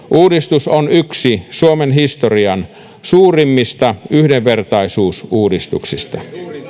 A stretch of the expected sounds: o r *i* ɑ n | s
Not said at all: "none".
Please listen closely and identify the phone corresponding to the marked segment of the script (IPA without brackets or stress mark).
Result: i